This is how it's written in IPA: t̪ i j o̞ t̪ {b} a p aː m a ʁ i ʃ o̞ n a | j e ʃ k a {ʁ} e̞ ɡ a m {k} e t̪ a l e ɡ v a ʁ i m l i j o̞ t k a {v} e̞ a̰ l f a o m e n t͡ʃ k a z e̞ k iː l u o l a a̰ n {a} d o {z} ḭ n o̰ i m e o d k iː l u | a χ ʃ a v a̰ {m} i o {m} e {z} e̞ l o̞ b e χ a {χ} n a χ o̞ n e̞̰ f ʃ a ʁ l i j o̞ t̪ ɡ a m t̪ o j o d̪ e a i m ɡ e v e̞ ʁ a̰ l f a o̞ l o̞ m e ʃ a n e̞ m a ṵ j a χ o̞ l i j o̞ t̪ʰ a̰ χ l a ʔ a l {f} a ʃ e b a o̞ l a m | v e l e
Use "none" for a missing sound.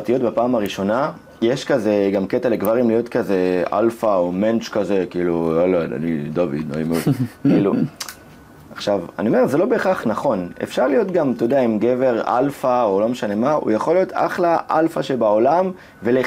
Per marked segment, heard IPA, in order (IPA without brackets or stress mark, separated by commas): b, z, k, z, i, v, n, m, z, χ, f